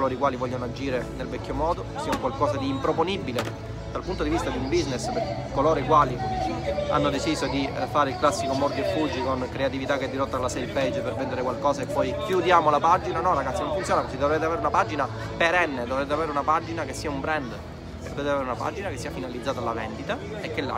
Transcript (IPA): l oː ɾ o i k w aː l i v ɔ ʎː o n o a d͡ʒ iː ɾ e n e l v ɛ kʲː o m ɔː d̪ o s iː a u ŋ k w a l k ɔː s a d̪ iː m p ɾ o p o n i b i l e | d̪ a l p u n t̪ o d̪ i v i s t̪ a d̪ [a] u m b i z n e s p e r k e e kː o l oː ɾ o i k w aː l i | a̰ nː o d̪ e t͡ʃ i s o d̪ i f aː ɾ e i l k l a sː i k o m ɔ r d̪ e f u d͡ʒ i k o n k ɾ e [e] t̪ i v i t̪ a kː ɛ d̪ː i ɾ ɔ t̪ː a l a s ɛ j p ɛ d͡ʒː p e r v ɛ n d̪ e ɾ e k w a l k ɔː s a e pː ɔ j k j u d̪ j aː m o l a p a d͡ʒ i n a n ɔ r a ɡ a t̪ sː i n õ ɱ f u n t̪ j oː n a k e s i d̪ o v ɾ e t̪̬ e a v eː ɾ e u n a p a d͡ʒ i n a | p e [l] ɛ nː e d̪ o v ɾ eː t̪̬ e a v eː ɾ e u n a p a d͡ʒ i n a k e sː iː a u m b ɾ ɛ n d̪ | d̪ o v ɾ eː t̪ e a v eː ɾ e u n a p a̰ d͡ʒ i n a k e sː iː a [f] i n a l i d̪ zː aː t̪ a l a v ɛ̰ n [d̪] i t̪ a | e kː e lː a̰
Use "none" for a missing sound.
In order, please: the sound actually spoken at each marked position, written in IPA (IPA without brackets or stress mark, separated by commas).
i, a, ɾ, f, d̪